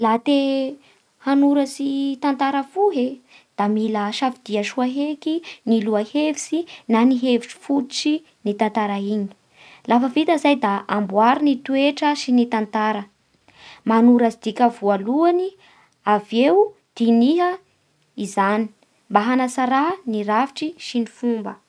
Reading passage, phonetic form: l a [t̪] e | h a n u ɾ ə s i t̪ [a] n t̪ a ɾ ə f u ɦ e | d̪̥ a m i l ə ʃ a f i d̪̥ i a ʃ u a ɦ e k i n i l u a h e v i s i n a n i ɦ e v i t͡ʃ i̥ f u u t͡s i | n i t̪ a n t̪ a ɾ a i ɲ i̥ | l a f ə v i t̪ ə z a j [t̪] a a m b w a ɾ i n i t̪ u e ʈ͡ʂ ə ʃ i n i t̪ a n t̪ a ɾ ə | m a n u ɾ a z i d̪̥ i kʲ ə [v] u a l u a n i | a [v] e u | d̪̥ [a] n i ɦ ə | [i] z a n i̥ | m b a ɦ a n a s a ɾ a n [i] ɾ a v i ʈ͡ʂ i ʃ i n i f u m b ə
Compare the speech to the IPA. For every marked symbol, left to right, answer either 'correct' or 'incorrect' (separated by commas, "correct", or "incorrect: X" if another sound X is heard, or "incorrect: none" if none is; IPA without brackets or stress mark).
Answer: correct, correct, incorrect: d̪, correct, correct, incorrect: i, correct, correct